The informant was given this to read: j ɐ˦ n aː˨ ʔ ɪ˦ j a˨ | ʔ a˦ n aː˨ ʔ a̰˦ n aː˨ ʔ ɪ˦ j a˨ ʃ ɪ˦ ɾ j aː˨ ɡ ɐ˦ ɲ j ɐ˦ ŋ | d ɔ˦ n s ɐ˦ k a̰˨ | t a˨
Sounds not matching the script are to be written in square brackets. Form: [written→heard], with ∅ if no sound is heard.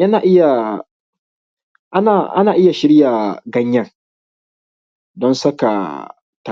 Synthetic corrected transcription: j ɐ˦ n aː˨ ʔ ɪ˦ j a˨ | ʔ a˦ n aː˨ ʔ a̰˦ n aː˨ ʔ ɪ˦ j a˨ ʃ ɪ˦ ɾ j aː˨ ɡ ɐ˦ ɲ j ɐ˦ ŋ | d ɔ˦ n s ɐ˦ k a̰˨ | t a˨